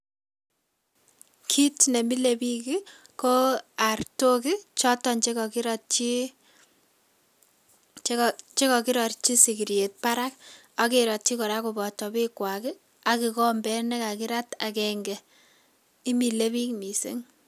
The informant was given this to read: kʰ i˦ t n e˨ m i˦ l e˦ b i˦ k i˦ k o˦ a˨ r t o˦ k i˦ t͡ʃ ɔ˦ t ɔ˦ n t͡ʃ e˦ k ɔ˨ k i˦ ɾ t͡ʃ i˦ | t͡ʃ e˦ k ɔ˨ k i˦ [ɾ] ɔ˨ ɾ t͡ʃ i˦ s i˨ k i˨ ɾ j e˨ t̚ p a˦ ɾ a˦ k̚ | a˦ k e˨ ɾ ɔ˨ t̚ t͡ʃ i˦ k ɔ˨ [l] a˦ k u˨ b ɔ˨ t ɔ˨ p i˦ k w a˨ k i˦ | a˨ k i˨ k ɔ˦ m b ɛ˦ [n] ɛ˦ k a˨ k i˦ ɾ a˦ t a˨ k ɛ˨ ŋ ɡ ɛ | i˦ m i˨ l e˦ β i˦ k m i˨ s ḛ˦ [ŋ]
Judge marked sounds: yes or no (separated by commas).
yes, no, yes, yes